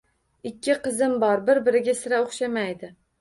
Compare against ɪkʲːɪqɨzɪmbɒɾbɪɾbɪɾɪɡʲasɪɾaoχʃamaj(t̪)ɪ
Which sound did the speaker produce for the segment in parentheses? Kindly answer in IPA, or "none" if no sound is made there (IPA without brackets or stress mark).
d̪